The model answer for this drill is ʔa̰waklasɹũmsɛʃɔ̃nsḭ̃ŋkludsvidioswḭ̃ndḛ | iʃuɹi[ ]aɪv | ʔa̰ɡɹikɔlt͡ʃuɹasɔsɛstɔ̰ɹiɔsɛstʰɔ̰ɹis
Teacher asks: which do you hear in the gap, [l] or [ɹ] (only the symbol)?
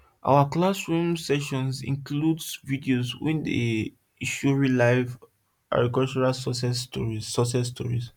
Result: l